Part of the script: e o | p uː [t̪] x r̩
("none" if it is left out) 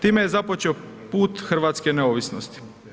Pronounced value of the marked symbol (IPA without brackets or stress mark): t̪